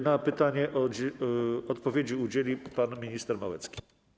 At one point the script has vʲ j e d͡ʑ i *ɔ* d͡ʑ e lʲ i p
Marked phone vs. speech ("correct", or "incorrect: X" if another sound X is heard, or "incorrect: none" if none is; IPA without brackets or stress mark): incorrect: u